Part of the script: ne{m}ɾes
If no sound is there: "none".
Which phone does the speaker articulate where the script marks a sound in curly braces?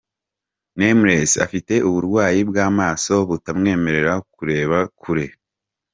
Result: m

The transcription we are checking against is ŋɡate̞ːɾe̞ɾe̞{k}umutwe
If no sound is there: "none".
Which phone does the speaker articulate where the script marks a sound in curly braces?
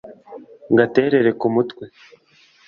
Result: k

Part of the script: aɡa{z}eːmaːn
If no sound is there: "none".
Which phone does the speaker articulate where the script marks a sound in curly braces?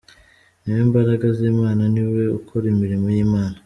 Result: z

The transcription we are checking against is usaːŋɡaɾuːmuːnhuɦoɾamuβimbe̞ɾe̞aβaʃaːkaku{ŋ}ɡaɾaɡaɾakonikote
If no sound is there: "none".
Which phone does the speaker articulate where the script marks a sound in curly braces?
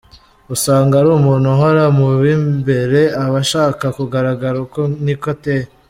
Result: none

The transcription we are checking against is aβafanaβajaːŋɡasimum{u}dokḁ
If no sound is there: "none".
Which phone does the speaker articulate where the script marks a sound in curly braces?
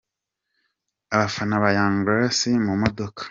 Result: o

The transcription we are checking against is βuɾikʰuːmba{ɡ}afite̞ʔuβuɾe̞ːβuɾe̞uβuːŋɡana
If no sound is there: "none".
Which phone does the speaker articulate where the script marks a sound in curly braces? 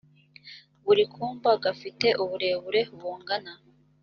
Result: ɡ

